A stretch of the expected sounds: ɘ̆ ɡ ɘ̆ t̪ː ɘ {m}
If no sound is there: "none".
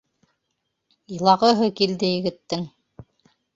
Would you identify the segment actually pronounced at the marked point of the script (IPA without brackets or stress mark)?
ŋ